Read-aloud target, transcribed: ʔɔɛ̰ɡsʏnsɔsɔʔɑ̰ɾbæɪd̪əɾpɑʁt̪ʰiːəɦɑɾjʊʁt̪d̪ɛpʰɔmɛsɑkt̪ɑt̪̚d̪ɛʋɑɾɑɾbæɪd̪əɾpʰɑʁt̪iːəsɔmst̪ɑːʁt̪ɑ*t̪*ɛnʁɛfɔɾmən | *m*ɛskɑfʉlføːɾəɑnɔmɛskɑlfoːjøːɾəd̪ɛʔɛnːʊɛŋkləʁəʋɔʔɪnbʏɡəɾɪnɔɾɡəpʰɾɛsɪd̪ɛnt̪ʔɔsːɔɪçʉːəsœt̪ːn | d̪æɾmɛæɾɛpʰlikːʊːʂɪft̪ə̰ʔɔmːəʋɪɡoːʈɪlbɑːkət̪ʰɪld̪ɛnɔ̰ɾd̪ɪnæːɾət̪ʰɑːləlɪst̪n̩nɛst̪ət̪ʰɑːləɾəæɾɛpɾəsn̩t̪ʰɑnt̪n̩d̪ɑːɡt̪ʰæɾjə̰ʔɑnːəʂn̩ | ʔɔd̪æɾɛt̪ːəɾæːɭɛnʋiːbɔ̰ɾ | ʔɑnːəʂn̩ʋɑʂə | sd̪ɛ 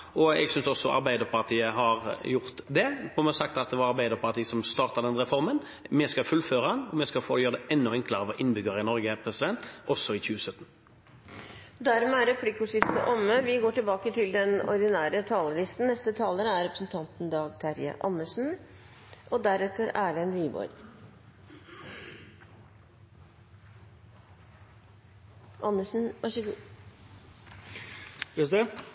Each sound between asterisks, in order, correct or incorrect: incorrect: d̪, correct

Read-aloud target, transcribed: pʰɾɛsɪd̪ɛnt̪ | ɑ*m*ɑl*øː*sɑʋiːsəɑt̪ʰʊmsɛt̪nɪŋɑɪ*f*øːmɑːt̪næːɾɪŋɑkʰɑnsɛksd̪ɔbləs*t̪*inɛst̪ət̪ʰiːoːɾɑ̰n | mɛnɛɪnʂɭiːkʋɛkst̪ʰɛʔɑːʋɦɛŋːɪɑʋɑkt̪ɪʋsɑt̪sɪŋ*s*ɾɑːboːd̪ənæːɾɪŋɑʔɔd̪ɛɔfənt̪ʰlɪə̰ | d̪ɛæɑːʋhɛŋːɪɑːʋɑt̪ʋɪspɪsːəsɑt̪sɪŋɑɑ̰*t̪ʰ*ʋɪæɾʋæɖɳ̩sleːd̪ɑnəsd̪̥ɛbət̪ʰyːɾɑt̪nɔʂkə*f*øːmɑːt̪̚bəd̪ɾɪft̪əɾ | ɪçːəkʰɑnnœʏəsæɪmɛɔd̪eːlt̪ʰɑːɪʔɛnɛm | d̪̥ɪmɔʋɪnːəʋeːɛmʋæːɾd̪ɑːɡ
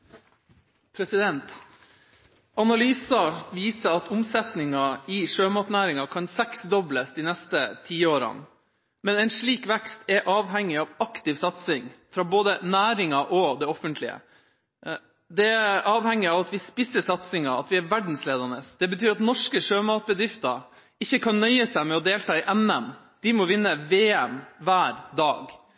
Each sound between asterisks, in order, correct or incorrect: incorrect: n, incorrect: yː, incorrect: ʂ, incorrect: d̪, incorrect: f, incorrect: t̪, incorrect: ʂ

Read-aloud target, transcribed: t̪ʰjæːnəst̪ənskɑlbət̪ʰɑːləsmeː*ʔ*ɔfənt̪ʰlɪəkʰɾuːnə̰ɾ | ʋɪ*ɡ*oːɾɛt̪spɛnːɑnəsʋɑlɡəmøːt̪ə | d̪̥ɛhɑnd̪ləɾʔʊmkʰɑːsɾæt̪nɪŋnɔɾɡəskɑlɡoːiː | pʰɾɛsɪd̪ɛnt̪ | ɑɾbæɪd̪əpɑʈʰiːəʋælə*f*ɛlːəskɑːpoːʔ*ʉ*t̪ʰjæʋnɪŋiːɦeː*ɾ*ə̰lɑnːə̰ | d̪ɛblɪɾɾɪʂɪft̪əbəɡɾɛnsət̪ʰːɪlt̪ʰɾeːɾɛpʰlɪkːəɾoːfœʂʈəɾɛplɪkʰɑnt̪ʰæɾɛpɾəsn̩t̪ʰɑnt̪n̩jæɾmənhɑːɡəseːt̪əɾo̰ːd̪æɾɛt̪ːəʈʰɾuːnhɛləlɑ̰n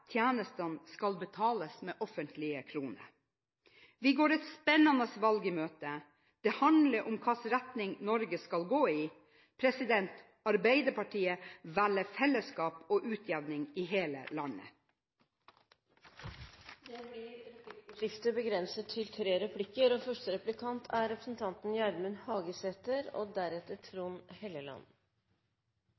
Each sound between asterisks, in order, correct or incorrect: correct, correct, correct, incorrect: ʉː, incorrect: l

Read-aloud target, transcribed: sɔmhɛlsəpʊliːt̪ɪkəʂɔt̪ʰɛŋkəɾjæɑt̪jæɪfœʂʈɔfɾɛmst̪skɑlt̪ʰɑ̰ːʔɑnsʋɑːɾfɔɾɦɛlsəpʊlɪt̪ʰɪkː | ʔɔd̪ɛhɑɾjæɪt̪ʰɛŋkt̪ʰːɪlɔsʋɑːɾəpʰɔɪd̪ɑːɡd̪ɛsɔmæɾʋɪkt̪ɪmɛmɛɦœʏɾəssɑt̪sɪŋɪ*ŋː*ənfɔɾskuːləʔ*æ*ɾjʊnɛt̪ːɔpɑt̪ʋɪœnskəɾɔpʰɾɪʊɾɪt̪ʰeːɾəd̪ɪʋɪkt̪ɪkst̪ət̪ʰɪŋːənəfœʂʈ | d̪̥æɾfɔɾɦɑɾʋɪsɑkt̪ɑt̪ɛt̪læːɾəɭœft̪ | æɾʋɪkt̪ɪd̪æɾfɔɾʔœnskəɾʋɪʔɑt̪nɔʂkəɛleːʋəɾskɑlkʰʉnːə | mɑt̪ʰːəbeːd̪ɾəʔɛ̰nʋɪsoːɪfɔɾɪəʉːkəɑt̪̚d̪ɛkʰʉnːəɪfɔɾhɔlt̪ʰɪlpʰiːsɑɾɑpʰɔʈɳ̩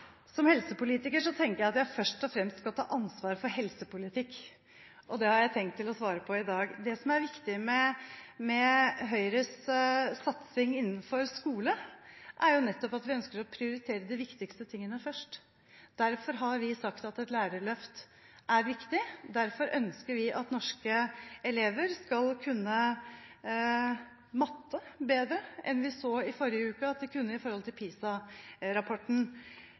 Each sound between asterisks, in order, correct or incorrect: incorrect: nː, correct

